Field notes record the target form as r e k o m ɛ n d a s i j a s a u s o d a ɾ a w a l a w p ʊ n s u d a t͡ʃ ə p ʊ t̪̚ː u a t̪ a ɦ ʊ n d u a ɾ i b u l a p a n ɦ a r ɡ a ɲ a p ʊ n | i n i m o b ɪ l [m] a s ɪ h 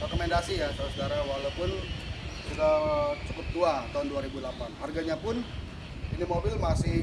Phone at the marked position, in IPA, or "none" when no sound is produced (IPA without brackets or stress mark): m